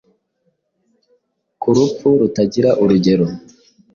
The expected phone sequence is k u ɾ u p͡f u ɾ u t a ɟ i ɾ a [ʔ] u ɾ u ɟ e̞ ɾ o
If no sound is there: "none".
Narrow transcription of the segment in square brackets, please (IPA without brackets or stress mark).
ʔ